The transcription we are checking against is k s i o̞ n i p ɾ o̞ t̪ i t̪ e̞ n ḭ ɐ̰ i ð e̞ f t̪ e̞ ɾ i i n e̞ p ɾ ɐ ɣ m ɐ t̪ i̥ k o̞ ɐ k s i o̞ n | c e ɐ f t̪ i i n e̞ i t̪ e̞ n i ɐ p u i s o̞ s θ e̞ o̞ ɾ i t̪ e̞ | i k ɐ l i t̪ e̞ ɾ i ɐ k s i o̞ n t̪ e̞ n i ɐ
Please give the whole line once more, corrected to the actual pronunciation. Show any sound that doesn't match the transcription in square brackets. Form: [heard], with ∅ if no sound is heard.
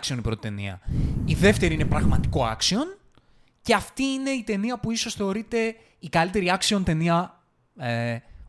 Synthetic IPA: k s i o̞ n i p ɾ o̞ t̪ i t̪ e̞ n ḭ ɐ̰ i ð e̞ f t̪ e̞ ɾ i i n e̞ p ɾ ɐ ɣ m ɐ t̪ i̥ k o̞ ɐ k s i o̞ n | c e ɐ f t̪ i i n e̞ i t̪ e̞ n i ɐ p u i s o̞ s θ e̞ o̞ ɾ i t̪ e̞ | i k ɐ l i t̪ e̞ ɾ i ɐ k s i o̞ n t̪ e̞ n i ɐ